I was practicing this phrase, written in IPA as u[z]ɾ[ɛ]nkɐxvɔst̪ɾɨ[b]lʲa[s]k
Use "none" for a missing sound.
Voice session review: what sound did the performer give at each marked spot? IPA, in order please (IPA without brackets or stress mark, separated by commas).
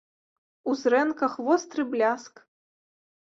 z, ɛ, b, s